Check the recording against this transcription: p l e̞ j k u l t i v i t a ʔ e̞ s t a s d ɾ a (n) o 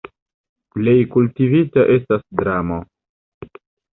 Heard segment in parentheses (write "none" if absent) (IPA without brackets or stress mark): m